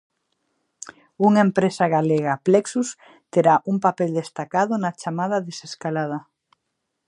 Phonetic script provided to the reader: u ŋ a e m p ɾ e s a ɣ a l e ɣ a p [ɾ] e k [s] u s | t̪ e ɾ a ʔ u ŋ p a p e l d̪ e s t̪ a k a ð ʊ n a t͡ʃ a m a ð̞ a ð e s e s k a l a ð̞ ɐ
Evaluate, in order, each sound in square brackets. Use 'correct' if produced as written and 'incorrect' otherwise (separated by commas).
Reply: incorrect, correct